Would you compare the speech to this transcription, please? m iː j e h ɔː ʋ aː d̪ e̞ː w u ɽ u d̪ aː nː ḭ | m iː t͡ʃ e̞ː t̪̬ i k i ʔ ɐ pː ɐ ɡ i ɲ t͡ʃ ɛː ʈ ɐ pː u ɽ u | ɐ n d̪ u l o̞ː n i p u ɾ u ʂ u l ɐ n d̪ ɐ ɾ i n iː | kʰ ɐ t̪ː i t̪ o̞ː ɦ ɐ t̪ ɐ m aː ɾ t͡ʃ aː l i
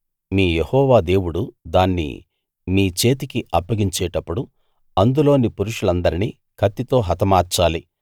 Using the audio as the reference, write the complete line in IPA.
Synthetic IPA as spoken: m iː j e h ɔː ʋ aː d̪ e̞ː w u ɽ u d̪ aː nː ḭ | m iː t͡ʃ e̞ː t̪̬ i k i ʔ ɐ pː ɐ ɡ i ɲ t͡ʃ ɛː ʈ ɐ pː u ɽ u | ɐ n d̪ u l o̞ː n i p u ɾ u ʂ u l ɐ n d̪ ɐ ɾ i n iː | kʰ ɐ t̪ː i t̪ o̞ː ɦ ɐ t̪ ɐ m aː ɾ t͡ʃ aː l i